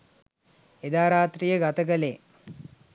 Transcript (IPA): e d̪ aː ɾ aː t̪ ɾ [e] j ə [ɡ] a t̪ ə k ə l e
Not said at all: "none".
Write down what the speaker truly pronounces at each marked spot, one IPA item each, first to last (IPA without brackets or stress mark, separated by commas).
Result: i, ɡ